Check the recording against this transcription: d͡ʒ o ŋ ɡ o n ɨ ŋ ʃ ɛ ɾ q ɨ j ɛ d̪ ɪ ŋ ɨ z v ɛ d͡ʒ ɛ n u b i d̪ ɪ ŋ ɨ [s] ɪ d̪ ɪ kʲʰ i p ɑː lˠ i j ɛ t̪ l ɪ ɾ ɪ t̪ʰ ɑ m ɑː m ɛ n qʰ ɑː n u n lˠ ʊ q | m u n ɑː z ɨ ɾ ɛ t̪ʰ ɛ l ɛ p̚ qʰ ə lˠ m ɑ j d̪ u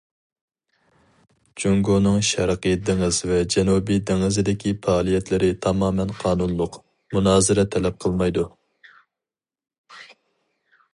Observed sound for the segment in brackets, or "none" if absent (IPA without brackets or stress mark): z